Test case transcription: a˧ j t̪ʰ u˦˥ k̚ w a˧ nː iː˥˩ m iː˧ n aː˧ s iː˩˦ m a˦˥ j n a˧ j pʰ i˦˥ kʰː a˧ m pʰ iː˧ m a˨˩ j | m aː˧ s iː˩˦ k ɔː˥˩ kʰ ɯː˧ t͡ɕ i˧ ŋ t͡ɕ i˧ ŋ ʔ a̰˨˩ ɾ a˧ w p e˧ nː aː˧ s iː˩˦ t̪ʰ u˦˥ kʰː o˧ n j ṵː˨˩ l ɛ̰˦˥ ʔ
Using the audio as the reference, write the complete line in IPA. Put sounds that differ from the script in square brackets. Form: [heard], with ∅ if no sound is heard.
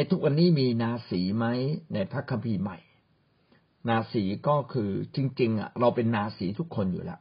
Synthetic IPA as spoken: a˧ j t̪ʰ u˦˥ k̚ w a˧ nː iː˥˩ m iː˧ n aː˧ s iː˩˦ m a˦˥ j n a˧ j pʰ [a˦˥] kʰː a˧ m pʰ iː˧ m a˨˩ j | [n] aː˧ s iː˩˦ k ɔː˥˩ kʰ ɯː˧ t͡ɕ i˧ ŋ t͡ɕ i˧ ŋ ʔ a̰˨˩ ɾ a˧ w p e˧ nː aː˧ s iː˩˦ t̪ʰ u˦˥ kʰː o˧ n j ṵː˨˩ l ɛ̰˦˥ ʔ